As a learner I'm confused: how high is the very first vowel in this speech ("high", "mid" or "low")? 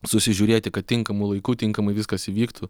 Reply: high